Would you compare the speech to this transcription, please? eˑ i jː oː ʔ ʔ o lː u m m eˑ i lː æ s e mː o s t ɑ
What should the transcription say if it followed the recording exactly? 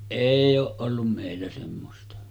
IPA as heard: eˑ i j oː ʔ ʔ o lː u m m eˑ i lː æ s e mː o s t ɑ